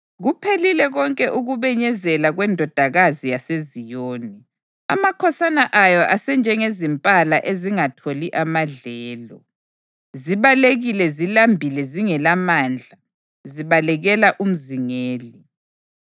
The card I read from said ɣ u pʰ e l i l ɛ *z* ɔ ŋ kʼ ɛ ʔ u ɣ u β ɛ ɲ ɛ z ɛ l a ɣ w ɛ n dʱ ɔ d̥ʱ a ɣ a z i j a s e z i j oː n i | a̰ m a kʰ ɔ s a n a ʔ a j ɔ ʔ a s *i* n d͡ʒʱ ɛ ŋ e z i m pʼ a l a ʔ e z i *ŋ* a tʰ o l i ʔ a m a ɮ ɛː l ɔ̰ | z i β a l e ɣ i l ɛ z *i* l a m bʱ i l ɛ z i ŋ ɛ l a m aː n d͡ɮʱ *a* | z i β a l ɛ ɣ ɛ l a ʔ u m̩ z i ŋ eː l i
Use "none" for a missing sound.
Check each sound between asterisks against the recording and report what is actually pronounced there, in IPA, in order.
ɣ, ɛ, ŋ, i, a

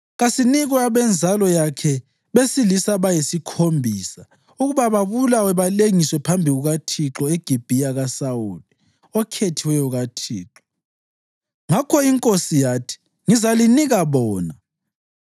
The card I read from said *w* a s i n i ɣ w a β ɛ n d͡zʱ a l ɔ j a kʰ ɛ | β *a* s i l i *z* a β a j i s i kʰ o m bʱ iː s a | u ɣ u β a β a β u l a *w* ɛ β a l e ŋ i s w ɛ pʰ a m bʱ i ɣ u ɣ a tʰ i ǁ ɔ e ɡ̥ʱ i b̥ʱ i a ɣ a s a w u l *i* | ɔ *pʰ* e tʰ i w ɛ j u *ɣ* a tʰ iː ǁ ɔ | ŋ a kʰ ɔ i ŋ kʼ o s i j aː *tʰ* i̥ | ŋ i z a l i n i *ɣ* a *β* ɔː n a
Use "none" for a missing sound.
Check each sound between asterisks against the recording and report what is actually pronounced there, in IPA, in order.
ɣ, e, s, w, i, kʰ, ɣ, tʰ, ɣ, β

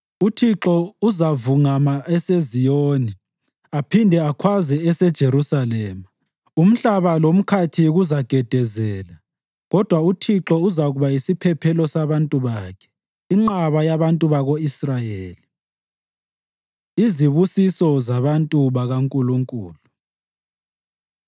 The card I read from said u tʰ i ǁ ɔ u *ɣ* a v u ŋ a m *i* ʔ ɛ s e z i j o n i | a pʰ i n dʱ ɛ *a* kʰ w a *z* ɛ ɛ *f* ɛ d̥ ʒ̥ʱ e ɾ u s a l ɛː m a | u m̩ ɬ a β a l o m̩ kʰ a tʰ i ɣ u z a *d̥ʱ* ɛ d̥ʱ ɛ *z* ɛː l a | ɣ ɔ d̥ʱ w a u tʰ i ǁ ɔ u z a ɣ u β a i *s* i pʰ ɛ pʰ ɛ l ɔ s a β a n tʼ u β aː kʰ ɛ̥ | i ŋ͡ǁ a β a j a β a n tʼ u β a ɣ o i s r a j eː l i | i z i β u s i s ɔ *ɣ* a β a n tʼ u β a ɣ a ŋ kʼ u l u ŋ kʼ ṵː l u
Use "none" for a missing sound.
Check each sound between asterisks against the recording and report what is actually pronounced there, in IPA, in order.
z, a, a, z, s, ɡ̥ʱ, z, s, z

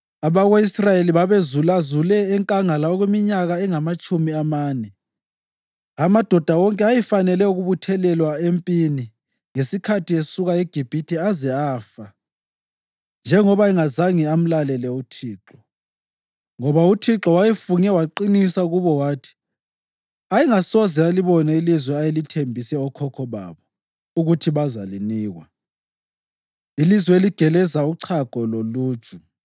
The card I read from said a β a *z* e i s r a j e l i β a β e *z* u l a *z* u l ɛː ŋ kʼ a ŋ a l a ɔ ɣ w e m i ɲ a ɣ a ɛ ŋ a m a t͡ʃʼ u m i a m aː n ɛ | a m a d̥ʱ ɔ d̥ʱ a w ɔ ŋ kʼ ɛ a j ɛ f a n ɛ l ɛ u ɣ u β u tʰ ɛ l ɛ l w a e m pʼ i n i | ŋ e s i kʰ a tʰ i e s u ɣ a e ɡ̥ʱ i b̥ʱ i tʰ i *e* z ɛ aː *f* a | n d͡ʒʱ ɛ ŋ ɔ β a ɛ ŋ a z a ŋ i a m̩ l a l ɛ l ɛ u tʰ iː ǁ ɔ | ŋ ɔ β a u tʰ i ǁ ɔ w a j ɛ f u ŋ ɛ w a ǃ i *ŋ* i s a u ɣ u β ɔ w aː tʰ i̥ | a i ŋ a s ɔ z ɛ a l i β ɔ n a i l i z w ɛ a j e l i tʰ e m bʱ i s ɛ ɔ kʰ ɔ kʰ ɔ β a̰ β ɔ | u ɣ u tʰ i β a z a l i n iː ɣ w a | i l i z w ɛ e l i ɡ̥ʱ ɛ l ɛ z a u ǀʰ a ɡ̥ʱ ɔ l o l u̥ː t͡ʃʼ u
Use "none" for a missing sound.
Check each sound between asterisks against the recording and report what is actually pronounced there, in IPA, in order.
ɣ, z, z, a, f, n

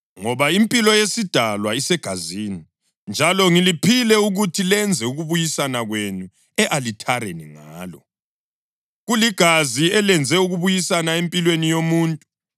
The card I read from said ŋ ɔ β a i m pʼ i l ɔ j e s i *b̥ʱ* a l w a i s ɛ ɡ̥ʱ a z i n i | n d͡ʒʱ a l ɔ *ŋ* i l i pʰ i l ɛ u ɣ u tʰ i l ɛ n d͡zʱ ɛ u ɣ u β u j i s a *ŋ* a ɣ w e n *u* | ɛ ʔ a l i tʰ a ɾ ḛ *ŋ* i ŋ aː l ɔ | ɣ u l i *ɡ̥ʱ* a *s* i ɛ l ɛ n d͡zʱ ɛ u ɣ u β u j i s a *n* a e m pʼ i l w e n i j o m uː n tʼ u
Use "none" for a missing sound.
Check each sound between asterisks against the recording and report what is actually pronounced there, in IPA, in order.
d̥ʱ, ŋ, n, u, n, ɡ̥ʱ, z, n

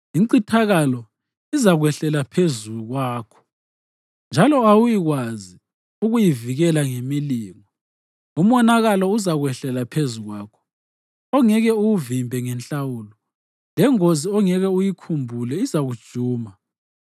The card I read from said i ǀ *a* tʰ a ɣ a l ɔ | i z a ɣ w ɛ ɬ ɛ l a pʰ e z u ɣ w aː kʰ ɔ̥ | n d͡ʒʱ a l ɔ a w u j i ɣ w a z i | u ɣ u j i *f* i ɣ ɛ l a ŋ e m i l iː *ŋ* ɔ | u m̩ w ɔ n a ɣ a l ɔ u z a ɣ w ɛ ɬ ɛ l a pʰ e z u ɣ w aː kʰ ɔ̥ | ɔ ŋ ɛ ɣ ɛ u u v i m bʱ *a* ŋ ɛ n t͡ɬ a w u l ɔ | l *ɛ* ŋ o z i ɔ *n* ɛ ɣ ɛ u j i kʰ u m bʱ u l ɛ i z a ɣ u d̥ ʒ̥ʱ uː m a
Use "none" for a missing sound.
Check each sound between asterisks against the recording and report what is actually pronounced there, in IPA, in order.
i, v, ŋ, ɛ, ɛ, ŋ

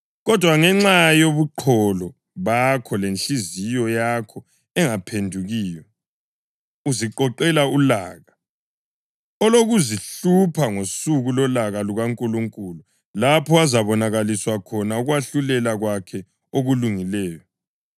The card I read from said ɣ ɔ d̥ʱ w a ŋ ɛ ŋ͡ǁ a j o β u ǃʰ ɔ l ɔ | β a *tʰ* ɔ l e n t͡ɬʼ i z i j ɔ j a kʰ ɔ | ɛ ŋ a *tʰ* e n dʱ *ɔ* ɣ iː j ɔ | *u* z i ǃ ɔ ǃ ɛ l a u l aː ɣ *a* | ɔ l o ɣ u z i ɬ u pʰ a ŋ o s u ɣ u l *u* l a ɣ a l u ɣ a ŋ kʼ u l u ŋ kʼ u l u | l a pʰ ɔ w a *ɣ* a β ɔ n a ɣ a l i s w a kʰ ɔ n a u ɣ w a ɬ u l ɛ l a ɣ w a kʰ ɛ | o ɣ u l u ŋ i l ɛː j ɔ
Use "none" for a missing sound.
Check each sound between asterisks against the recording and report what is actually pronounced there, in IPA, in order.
kʰ, pʰ, u, u, a, ɔ, z

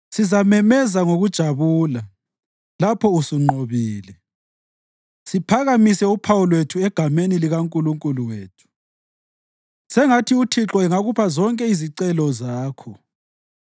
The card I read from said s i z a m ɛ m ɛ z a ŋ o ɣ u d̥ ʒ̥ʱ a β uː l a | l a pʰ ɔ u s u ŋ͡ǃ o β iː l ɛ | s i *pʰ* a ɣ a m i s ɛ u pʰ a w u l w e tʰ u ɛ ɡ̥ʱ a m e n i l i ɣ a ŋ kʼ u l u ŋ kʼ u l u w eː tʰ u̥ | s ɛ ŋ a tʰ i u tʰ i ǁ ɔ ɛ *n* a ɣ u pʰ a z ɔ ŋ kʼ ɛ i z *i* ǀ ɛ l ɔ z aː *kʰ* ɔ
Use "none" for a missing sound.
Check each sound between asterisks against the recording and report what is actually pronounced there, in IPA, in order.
pʰ, ŋ, i, kʰ

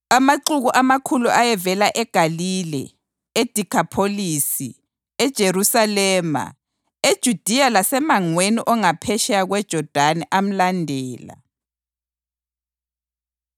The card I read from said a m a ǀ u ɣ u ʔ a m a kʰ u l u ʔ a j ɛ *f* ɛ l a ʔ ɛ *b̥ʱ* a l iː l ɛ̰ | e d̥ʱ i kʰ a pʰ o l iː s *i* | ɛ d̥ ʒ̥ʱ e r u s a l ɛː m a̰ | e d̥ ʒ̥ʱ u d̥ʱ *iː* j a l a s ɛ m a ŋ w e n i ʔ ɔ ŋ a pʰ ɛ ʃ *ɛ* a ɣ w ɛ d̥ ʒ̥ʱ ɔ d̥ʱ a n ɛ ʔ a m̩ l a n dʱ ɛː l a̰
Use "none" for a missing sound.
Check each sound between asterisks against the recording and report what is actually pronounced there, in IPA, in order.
v, ɡ̥ʱ, i, i, ɛ

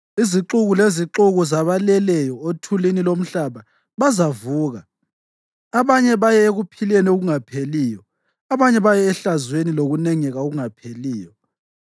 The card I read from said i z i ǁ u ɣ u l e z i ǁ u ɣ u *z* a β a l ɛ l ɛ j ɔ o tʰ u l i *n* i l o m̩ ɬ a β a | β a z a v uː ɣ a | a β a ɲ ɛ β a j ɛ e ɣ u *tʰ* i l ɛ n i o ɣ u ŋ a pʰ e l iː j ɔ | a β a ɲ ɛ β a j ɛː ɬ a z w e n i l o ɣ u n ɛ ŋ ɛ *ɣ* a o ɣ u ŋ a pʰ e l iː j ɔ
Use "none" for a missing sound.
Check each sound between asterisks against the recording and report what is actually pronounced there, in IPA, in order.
z, n, pʰ, ɣ

